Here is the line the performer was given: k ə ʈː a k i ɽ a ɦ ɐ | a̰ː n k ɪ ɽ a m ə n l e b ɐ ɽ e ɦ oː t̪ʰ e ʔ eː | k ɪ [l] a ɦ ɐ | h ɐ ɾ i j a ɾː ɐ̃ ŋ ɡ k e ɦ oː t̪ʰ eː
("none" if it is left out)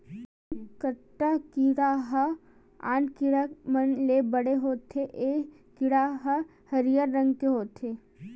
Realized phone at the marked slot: ɽ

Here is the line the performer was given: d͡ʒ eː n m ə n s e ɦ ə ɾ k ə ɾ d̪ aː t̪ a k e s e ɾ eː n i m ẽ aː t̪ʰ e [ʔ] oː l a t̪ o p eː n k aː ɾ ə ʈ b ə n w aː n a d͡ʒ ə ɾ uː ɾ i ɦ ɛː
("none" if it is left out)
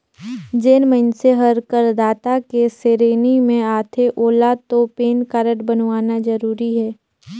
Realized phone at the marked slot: ʔ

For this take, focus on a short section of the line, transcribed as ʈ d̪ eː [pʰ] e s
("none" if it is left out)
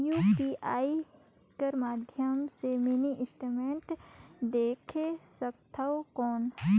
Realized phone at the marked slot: kʰ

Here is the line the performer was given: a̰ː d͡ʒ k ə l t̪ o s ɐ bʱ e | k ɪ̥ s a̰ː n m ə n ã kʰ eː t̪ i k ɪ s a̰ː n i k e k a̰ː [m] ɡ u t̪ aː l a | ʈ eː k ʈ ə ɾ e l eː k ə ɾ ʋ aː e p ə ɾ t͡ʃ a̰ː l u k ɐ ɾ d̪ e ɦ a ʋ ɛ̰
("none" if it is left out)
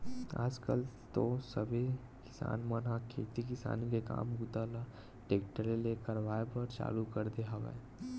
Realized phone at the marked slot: m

